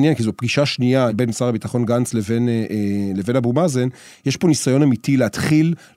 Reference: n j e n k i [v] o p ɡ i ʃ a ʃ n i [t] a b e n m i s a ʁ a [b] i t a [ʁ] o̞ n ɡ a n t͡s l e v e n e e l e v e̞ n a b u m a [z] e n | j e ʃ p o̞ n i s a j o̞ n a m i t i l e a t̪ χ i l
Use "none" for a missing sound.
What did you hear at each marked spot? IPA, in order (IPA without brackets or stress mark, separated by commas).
z, none, b, χ, z